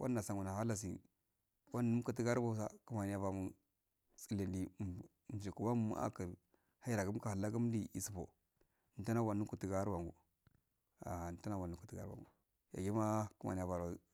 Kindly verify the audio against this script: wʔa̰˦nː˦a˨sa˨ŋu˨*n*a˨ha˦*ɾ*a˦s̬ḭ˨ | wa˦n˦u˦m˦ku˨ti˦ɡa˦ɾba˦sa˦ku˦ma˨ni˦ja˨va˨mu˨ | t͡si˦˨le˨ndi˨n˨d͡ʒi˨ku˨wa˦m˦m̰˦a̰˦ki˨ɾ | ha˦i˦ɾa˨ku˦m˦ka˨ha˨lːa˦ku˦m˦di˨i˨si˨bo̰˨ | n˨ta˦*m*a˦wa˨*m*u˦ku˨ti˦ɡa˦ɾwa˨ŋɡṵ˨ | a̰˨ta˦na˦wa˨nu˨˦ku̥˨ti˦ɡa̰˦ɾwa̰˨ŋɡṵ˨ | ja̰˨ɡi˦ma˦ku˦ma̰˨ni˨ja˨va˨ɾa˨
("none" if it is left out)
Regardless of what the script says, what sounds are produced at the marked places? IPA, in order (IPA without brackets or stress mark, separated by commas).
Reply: n, l, n, n